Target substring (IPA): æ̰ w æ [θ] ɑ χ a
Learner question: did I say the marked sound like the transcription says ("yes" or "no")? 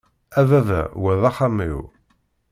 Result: no